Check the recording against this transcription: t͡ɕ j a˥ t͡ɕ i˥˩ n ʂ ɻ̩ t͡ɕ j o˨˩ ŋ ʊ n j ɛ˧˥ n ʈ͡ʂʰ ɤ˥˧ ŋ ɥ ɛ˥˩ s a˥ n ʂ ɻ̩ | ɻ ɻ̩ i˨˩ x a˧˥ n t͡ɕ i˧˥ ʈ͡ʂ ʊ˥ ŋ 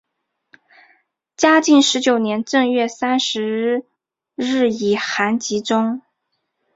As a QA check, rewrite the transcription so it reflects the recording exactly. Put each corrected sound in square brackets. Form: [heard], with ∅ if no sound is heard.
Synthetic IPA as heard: t͡ɕ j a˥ t͡ɕ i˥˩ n ʂ ɻ̩ t͡ɕ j o˨˩ [∅] ʊ n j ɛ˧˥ n [ʈ͡ʂ] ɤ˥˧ ŋ ɥ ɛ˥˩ s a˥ n ʂ ɻ̩ | ɻ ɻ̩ i˨˩ x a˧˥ n t͡ɕ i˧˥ ʈ͡ʂ ʊ˥ ŋ